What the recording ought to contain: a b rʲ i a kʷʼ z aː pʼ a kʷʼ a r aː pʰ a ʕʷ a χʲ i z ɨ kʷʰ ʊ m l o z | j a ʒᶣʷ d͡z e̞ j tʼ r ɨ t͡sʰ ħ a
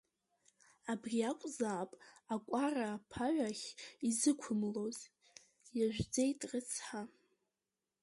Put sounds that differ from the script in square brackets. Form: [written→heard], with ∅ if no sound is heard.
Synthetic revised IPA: a b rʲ i a kʷʼ z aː pʼ a kʷʼ a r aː pʰ a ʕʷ a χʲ i z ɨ kʷʰ ʊ m l o z | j a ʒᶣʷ d͡z e̞ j tʼ r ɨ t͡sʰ ħ a